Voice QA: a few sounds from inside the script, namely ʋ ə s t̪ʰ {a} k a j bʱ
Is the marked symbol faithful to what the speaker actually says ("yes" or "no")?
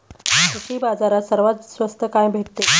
no